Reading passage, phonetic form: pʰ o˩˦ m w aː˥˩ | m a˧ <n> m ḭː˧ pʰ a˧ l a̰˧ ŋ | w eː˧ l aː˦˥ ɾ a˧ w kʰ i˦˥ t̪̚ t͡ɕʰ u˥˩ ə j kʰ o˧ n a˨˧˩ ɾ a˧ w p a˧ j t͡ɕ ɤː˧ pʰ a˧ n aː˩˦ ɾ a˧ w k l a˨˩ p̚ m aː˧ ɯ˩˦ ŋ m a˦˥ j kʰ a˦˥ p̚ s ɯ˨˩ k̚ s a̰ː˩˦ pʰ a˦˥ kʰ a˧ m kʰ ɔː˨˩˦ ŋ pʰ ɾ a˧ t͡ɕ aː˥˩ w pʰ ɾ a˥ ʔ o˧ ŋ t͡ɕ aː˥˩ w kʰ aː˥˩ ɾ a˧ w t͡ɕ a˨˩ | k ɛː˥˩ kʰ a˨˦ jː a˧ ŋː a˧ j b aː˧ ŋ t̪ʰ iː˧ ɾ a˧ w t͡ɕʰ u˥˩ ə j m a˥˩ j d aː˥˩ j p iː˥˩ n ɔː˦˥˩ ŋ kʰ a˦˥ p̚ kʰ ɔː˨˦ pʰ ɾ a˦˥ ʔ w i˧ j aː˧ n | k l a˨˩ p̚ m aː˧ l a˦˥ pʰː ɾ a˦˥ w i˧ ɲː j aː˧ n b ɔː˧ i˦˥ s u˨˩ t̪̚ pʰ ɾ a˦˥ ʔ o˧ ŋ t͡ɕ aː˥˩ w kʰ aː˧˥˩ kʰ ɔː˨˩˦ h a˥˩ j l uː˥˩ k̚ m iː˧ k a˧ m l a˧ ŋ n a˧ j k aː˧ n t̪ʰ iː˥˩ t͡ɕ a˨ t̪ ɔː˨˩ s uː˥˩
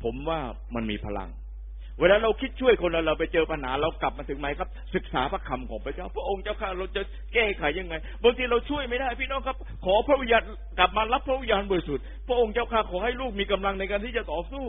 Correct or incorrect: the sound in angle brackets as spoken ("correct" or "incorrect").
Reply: correct